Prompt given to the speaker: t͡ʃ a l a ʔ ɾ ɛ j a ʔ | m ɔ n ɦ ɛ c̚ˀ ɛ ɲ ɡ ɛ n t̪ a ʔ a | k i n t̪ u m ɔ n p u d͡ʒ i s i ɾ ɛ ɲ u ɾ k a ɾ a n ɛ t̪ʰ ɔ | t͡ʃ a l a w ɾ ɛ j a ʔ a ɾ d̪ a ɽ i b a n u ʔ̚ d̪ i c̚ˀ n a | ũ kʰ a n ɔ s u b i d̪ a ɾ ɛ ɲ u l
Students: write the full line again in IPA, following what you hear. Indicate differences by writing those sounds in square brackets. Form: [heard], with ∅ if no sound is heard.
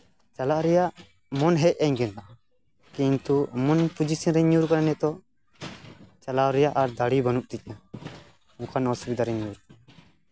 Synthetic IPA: t͡ʃ a l a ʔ ɾ ɛ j a ʔ | m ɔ n ɦ ɛ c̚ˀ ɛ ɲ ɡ ɛ n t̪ a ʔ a | k i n t̪ u m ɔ n p u d͡ʒ i s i ɾ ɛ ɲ u ɾ k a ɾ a n ɛ [t̪] ɔ | t͡ʃ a l a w ɾ ɛ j a ʔ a ɾ d̪ a ɽ i b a n u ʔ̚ [t̪] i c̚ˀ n a | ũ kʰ a n ɔ s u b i d̪ a ɾ ɛ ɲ u [ɾ]